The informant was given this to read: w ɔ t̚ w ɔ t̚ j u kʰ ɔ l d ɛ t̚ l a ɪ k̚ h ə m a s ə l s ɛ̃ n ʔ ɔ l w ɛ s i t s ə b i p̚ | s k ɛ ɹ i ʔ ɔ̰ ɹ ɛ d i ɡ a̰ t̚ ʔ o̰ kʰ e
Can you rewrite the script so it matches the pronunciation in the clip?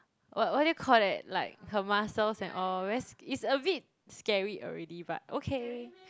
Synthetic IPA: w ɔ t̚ w ɔ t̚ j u kʰ ɔ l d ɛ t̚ l a ɪ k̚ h ə m a s ə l s ɛ̃ n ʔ ɔ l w ɛ s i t s ə b i t̚ | s k ɛ ɹ i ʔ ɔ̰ ɹ ɛ d i b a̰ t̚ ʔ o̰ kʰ e